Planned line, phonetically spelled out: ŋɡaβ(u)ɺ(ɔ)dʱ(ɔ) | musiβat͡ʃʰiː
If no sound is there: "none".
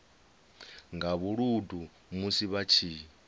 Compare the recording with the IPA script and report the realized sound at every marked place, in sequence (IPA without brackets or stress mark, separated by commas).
u, u, u